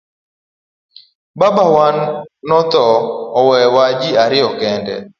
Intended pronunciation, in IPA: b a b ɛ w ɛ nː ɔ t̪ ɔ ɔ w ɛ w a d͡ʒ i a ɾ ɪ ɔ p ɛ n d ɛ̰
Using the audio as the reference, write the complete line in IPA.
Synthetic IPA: b a b a w a nː ɔ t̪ ɔ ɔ w ɛ w a d͡ʒ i a ɾ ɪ ɔ k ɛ n d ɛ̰